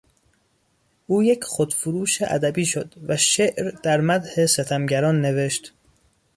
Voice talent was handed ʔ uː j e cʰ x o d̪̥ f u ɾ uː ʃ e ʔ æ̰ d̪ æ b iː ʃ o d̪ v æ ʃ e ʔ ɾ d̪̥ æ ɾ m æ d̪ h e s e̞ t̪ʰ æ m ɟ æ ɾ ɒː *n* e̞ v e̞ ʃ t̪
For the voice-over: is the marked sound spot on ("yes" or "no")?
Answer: no